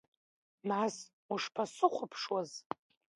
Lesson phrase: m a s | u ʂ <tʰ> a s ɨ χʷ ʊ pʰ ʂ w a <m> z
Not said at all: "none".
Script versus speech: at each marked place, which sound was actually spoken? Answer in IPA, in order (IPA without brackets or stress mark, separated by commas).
pʰ, none